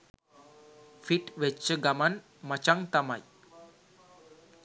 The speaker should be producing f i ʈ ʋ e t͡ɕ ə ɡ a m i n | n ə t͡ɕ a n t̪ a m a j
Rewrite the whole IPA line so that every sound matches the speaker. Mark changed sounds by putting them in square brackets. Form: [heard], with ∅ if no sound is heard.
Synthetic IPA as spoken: f i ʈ ʋ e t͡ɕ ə ɡ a m [a] n | [m] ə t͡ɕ a [ŋ] t̪ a m a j